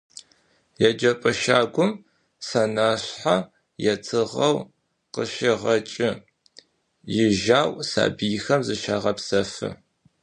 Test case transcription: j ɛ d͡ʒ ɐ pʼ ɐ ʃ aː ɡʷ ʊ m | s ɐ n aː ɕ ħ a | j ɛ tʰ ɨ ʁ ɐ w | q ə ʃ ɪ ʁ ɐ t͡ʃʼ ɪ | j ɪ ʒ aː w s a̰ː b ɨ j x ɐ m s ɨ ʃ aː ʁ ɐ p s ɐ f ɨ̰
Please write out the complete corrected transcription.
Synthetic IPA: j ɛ d͡ʒ ɐ pʼ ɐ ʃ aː ɡʷ ʊ m | s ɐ n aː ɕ ħ a | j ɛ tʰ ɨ ʁ ɐ w | q ə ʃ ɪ ʁ ɐ t͡ʃʼ ɪ | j ɪ ʒ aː w s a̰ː b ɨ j x ɐ m z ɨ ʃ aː ʁ ɐ p s ɐ f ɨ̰